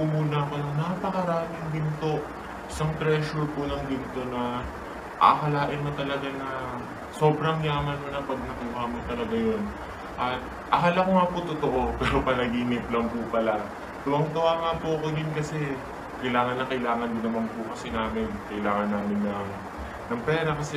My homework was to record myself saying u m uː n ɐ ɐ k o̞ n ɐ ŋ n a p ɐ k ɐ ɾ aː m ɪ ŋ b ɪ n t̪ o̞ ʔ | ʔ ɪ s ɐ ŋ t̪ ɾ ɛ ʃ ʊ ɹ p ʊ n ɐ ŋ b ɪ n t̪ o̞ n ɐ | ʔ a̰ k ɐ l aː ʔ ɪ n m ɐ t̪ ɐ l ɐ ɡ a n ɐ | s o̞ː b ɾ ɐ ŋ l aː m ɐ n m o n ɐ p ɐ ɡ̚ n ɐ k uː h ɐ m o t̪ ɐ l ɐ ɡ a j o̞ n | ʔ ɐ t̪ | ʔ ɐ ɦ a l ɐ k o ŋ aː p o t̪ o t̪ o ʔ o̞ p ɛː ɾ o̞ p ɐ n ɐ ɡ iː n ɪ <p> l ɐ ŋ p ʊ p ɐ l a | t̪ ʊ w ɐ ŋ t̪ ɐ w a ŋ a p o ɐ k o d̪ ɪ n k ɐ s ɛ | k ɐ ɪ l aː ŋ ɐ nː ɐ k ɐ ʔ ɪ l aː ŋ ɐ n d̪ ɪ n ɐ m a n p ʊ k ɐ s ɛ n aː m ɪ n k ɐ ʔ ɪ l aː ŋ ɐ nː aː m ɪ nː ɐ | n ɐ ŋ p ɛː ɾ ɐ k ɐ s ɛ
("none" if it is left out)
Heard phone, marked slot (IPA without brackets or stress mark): p